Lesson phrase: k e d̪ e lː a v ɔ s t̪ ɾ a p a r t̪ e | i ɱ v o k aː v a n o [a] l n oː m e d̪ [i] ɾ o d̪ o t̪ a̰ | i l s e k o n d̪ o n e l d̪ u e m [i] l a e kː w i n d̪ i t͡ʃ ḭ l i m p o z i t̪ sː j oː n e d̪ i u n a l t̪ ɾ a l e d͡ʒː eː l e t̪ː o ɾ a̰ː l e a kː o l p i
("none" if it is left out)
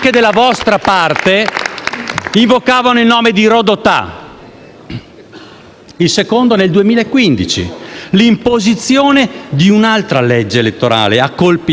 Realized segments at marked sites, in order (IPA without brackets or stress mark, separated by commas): i, i, iː